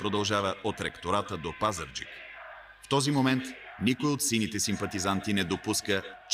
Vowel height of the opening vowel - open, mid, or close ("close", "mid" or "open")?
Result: mid